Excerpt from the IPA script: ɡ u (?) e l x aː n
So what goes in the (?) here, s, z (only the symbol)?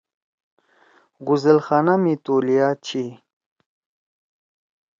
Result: z